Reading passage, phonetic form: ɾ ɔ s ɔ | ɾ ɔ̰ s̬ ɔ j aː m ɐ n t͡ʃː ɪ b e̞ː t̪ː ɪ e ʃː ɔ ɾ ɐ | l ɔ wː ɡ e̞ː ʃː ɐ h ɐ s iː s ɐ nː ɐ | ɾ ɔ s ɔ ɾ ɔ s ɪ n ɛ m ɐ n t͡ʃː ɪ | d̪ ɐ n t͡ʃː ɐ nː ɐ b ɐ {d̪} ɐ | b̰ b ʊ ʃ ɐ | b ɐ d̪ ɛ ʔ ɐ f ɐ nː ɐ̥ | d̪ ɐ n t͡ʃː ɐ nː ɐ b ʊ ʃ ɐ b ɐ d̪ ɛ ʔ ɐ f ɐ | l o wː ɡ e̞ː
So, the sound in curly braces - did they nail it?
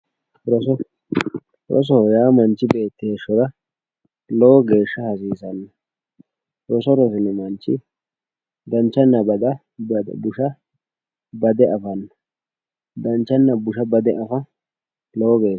yes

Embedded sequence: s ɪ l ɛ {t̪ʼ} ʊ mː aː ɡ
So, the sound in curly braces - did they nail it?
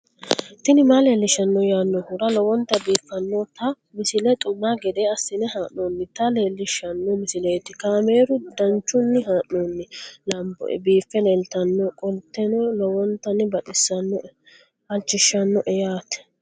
yes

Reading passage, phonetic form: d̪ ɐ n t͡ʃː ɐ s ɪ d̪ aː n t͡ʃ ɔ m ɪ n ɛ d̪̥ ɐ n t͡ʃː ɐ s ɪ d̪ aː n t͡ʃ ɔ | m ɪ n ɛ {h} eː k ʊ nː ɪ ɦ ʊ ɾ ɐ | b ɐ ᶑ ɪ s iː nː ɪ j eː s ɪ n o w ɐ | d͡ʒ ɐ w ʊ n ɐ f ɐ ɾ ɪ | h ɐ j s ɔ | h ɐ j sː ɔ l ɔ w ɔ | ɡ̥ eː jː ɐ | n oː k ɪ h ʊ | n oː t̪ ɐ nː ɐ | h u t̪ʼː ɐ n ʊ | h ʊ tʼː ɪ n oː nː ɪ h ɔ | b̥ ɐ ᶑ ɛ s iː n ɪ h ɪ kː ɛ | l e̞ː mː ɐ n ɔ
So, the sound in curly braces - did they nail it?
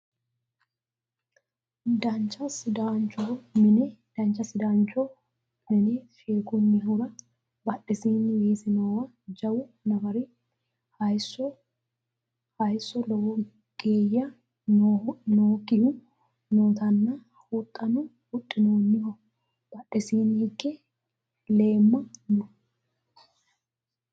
no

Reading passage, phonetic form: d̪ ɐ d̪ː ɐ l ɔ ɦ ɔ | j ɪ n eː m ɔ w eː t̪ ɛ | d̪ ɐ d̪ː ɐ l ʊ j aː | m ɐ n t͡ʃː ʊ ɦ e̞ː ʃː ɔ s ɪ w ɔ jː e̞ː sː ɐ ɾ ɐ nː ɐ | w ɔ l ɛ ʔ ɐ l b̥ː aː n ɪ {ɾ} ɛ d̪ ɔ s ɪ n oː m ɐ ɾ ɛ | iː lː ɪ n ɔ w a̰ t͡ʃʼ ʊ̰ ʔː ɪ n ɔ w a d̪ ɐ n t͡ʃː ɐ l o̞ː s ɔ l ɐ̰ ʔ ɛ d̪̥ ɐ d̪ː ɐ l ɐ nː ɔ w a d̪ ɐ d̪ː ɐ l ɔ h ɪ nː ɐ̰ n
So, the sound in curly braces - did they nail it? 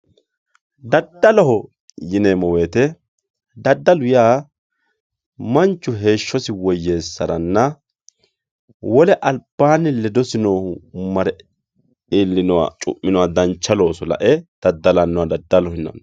no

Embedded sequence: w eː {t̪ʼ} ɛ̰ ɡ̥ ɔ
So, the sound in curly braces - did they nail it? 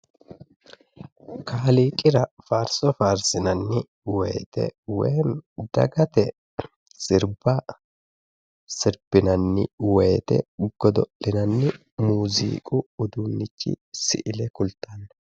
no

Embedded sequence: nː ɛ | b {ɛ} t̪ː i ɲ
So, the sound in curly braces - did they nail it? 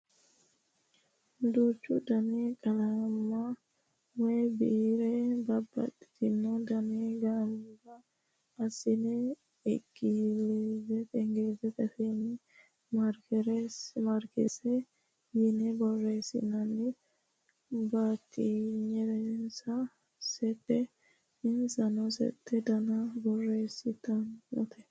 no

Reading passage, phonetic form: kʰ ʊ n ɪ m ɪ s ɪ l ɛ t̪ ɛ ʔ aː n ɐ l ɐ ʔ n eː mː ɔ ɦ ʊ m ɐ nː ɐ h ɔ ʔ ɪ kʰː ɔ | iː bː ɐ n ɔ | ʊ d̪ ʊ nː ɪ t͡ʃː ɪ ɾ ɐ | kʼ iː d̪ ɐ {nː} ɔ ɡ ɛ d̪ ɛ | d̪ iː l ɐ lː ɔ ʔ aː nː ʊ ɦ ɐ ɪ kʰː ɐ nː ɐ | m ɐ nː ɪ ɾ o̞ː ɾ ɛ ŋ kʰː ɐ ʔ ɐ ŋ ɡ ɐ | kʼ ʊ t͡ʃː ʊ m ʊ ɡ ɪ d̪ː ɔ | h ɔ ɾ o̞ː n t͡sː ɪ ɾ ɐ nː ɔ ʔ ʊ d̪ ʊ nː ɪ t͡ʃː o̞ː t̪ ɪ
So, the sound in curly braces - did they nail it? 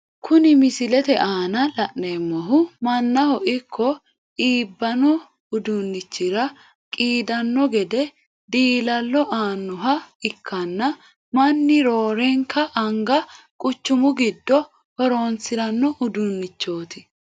yes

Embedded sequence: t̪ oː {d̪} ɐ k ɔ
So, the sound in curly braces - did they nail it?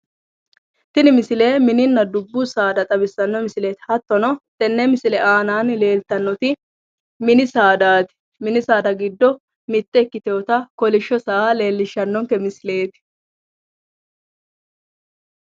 no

